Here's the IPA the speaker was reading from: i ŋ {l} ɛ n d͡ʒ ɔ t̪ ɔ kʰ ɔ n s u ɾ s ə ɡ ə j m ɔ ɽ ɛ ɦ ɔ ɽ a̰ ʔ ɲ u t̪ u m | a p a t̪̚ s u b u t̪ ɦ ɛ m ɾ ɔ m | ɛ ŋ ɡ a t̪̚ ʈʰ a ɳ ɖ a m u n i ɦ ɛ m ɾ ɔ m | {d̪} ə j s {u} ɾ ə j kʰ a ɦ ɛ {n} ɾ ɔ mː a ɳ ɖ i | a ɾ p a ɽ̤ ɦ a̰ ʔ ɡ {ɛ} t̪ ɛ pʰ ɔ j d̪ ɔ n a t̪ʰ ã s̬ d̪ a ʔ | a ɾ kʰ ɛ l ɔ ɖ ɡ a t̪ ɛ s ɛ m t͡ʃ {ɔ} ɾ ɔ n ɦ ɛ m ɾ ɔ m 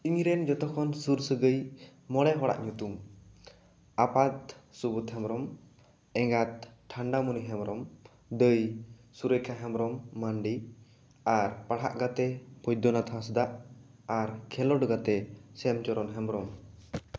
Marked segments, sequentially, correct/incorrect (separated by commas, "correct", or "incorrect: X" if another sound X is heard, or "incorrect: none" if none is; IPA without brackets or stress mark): incorrect: ɾ, correct, correct, incorrect: m, incorrect: a, correct